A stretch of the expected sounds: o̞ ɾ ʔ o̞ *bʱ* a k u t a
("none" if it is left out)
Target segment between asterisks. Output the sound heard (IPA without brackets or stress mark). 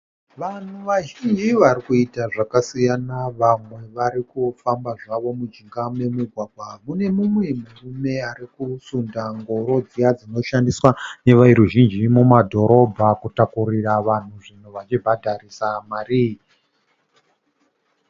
bʱ